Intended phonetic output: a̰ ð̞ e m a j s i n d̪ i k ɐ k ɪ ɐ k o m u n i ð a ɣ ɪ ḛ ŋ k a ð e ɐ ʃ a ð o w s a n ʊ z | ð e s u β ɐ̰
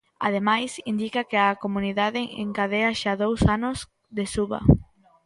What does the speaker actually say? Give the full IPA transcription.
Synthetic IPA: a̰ ð̞ e m a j s i n d̪ i k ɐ k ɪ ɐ k o m u n i ð a ð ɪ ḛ ŋ k a ð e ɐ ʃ a ð o w s a n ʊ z | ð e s u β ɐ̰